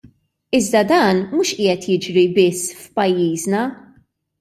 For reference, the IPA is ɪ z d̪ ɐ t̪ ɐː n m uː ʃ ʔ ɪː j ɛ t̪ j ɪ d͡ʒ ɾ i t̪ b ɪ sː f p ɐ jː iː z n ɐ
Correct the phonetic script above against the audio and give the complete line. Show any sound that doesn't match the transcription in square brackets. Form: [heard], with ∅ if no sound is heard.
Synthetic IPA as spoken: ɪ z d̪ ɐ [d̪] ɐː n m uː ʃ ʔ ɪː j ɛ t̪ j ɪ d͡ʒ ɾ i [∅] b ɪ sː f p ɐ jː iː z n ɐ